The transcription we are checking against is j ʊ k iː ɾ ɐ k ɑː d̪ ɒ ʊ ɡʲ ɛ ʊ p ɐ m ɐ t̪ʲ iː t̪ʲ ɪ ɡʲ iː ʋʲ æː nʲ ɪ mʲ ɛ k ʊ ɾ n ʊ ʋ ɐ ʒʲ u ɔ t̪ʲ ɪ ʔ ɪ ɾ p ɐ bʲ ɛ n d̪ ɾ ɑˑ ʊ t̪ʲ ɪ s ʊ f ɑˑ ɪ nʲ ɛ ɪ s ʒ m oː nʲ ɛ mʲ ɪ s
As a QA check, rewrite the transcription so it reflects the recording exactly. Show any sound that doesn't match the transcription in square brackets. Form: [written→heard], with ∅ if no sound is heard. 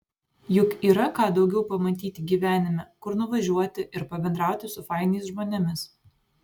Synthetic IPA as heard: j ʊ k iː ɾ ɐ k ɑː d̪ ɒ ʊ ɡʲ ɛ ʊ p ɐ m ɐ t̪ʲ iː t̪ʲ ɪ ɡʲ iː ʋʲ æː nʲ ɪ mʲ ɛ k ʊ ɾ n ʊ ʋ ɐ ʒʲ u ɔ t̪ʲ ɪ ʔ ɪ ɾ p ɐ bʲ ɛ n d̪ ɾ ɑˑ ʊ t̪ʲ ɪ s ʊ f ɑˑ ɪ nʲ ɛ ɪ s ʒ m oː nʲ ɛ mʲ ɪ s